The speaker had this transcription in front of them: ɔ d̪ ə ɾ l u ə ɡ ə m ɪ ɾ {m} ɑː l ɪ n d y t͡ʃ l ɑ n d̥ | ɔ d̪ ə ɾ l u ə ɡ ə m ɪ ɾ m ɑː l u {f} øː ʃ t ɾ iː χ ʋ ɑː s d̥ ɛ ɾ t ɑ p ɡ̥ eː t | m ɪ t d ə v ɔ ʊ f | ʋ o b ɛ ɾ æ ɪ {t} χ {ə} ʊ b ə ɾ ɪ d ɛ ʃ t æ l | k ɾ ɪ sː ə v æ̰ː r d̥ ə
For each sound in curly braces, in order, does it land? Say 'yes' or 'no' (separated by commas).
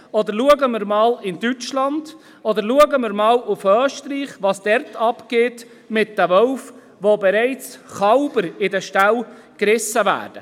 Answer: yes, yes, no, no